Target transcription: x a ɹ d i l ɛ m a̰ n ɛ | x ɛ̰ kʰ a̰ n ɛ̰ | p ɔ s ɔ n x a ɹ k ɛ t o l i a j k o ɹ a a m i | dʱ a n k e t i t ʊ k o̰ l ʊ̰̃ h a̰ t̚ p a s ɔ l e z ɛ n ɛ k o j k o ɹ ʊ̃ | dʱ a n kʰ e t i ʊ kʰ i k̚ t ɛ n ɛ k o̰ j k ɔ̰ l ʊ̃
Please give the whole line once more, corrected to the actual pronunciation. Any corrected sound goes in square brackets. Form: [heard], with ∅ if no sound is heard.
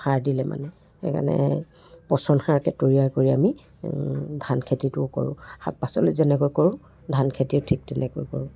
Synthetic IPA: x a ɹ d i l ɛ m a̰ n ɛ | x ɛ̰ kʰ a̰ n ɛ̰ | p ɔ s ɔ n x a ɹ k ɛ t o [ɹ] i a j k o ɹ [i] a m i | dʱ a n [kʰ] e t i t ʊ k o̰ [ɹ] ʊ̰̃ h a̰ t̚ p a s ɔ l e z ɛ n ɛ k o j k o ɹ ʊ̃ | dʱ a n kʰ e t i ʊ [tʰ] i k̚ t ɛ n ɛ k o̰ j k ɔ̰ [ɹ] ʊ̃